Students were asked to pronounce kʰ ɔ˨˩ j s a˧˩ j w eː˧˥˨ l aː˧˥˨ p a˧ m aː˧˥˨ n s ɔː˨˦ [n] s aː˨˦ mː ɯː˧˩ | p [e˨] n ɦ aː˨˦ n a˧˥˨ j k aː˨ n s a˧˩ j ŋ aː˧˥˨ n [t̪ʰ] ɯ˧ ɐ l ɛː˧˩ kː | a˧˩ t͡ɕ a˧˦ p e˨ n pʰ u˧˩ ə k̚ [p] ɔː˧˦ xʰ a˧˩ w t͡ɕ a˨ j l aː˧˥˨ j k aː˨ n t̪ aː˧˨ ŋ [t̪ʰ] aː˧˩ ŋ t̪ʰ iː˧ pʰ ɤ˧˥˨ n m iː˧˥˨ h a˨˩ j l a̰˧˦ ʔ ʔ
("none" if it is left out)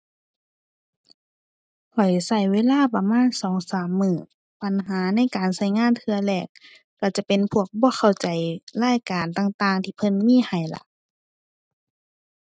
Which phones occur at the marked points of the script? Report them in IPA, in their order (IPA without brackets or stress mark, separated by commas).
ŋ, a˨, t̪ʰ, b, t̪